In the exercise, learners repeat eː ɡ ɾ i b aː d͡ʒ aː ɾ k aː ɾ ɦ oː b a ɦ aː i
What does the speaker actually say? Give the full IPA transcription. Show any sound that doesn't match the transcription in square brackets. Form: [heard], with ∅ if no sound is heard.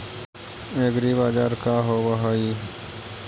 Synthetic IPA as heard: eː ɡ ɾ i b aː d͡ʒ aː ɾ k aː [∅] ɦ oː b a ɦ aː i